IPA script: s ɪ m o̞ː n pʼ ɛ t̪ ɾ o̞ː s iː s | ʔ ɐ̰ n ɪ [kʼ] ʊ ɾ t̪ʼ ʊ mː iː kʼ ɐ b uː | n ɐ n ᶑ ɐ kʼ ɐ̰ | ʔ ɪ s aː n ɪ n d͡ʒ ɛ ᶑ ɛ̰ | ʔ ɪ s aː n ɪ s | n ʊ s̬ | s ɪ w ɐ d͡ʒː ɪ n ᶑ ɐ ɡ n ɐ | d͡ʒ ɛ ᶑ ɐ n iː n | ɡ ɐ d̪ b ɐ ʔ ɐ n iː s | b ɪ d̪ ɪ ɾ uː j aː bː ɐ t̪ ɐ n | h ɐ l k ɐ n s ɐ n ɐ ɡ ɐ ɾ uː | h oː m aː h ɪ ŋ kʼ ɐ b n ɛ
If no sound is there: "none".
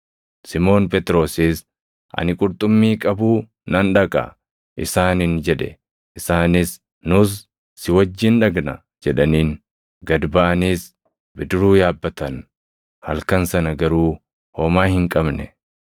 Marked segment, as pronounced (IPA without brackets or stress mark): kʼ